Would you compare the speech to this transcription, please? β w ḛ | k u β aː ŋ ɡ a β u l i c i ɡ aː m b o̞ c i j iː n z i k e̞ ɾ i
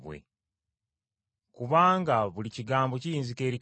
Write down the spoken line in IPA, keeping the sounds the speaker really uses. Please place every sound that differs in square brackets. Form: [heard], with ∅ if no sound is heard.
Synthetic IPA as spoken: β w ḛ | k u β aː ŋ ɡ a β u l i c i ɡ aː m b o̞ c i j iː n z i k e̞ ɾ i

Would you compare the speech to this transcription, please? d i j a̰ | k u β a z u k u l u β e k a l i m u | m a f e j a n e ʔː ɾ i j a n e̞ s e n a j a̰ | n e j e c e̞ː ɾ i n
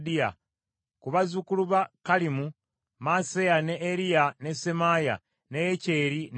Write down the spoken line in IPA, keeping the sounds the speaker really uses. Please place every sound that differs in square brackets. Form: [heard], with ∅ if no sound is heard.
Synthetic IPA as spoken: d i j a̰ | k u β a z u k u l u β [a] k a l i m u | m a [s] e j a n e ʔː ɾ i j a n e̞ s e [m] a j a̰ | n e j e c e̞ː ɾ i n

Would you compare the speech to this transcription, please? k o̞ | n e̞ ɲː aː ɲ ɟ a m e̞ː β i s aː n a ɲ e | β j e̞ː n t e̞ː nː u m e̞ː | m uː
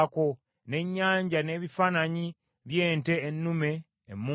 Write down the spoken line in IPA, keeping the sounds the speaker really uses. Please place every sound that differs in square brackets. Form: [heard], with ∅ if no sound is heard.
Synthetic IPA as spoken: k o̞ | n e̞ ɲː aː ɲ ɟ a [n] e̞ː β i [f] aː n a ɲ [i] | β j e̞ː n t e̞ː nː u m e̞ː | m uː

